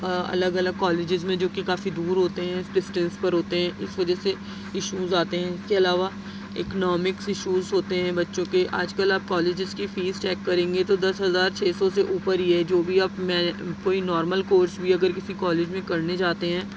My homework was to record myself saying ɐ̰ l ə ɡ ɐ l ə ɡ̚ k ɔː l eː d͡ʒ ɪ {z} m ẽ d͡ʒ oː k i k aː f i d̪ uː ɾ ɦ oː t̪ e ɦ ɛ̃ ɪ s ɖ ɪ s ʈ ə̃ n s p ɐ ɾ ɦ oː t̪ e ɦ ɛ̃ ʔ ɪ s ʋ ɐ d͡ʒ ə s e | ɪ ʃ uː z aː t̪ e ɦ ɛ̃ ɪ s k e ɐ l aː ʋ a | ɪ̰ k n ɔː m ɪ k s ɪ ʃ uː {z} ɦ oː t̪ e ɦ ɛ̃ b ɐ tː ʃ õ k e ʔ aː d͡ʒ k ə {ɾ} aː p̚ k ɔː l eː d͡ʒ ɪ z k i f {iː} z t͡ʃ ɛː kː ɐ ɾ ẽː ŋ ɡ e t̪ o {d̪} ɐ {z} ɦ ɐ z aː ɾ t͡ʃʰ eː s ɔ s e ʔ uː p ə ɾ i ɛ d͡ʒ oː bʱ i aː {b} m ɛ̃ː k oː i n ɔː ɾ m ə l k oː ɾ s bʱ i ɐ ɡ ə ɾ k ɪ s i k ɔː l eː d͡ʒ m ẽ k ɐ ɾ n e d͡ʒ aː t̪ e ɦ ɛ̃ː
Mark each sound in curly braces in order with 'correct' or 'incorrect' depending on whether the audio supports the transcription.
correct, correct, incorrect: l, correct, correct, incorrect: s, incorrect: p

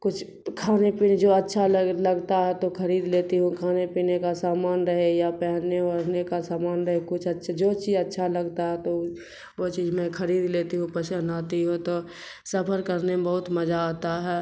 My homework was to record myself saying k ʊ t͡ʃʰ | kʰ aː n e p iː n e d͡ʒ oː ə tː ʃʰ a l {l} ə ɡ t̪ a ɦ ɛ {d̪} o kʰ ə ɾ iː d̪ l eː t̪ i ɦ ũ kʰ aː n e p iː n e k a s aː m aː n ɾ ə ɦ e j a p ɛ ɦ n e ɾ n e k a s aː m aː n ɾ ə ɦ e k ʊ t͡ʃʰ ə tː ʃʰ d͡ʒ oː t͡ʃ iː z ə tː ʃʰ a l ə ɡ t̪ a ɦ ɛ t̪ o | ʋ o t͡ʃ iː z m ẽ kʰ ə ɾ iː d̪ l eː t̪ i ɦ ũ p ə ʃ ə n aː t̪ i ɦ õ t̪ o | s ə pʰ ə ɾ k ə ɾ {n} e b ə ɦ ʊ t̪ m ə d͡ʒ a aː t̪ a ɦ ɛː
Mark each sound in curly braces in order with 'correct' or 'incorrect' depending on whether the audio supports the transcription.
correct, incorrect: t̪, correct

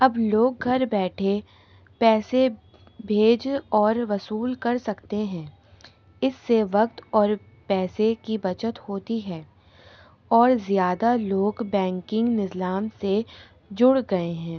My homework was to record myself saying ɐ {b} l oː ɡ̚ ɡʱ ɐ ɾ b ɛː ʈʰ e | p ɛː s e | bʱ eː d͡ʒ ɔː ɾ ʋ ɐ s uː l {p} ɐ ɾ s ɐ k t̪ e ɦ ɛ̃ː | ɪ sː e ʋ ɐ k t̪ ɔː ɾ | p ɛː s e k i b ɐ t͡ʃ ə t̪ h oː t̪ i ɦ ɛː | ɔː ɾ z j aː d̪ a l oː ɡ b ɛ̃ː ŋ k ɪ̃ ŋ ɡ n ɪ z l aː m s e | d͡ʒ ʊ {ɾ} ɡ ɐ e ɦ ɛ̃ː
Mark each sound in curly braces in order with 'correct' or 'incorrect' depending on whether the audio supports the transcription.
correct, incorrect: k, incorrect: ɽ

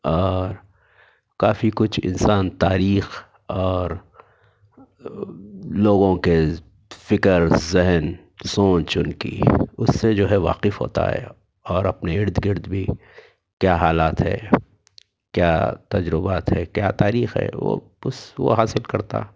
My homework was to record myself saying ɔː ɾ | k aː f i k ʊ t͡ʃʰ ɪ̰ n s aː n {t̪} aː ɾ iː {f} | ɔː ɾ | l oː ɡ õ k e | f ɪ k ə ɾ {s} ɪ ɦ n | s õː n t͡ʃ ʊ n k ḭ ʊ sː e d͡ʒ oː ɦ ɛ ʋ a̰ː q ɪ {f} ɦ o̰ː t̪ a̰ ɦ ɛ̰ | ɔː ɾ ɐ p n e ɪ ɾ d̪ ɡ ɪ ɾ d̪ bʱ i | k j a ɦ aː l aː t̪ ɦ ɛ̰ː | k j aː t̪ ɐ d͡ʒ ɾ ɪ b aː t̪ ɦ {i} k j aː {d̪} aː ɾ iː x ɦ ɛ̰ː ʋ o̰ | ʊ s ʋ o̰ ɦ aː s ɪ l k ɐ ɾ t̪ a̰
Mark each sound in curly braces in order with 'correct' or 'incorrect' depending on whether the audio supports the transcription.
correct, incorrect: x, incorrect: z, correct, incorrect: ɛ, incorrect: t̪

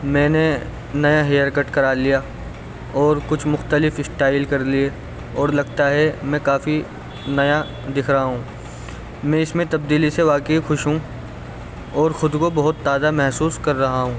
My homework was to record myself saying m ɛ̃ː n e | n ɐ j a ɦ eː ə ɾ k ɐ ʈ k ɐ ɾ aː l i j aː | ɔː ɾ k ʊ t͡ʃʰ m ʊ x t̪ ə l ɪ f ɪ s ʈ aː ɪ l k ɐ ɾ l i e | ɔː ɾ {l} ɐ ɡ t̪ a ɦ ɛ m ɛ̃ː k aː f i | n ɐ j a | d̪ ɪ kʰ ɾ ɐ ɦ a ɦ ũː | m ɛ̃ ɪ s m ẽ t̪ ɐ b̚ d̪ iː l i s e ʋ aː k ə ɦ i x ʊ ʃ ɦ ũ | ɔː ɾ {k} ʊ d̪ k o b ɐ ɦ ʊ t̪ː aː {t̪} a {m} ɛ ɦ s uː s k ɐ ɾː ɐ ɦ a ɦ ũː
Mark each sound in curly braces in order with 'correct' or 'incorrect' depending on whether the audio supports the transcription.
correct, incorrect: x, incorrect: d̪, correct

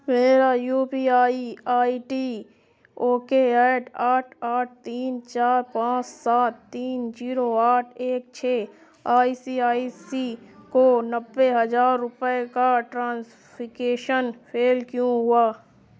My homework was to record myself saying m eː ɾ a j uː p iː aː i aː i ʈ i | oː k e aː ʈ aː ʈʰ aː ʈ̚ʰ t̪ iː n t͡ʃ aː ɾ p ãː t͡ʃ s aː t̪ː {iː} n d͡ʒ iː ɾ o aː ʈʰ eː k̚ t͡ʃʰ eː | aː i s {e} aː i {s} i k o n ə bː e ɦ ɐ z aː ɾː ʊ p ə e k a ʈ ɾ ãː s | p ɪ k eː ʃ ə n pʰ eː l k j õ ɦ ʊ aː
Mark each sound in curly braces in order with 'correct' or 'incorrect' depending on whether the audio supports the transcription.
correct, incorrect: i, correct

